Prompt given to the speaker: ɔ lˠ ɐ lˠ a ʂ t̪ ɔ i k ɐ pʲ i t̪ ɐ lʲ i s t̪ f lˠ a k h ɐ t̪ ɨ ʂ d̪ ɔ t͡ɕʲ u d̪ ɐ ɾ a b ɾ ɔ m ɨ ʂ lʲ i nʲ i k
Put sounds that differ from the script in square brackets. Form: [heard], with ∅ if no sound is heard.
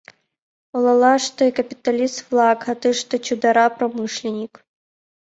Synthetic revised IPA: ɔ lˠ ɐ lˠ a ʂ t̪ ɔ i k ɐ pʲ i t̪ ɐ lʲ i s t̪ f lˠ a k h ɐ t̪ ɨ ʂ [t̪] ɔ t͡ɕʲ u d̪ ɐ ɾ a [p] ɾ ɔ m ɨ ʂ lʲ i nʲ i k